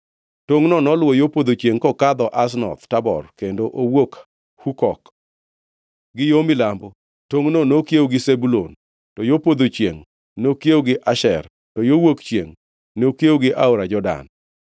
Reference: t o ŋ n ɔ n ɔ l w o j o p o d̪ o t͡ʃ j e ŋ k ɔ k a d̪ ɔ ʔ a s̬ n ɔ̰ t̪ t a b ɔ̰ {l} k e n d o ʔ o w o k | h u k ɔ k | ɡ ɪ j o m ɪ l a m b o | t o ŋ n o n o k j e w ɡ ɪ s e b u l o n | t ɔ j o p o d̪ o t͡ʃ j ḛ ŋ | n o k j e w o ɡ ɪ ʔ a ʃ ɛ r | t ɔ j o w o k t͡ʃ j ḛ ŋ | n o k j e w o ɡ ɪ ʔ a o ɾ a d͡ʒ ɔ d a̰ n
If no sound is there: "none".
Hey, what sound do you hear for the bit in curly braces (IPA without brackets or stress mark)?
r